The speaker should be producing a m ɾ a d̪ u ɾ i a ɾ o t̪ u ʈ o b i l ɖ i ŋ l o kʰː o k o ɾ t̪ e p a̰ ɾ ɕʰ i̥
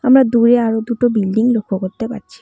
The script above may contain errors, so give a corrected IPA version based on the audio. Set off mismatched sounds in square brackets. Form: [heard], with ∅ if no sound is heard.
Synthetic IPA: a m ɾ a d̪ u ɾ [e] a ɾ o [d̪] u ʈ o b i l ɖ i ŋ l o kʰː o k o ɾ t̪ e p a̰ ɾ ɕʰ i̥